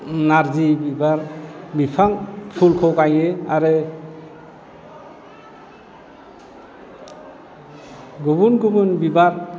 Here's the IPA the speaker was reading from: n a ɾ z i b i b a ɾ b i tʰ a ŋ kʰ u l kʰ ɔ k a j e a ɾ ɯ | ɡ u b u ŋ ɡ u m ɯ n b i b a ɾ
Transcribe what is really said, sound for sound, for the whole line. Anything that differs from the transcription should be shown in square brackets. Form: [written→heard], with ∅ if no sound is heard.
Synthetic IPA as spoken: n a ɾ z i b i b a ɾ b i [tʰ→pʰ] a ŋ [kʰ→pʰ] u l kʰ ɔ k a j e a ɾ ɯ | ɡ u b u [ŋ→n] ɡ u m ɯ n b i b a ɾ